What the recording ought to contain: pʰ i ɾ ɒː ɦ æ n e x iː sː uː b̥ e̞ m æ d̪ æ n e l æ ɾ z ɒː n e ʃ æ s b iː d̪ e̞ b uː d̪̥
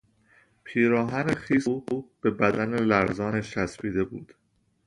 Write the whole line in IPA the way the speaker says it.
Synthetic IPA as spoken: pʰ iː ɾ ɒː ɦ æ n e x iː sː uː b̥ e̞ b æ d̪ æ n e l æ ɾ z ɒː n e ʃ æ s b iː d̪ e̞ b uː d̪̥